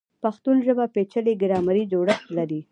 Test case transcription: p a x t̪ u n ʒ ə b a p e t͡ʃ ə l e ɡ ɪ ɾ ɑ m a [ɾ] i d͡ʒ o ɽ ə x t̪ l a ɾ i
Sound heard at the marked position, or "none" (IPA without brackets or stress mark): ɾ